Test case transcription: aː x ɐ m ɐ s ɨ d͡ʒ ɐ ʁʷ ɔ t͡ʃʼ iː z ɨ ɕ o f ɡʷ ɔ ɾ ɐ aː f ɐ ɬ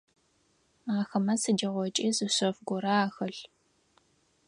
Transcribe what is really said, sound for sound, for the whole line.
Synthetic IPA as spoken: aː x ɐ m ɐ s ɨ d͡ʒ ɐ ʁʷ ɔ t͡ʃʼ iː z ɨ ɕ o f ɡʷ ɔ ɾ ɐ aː x ɐ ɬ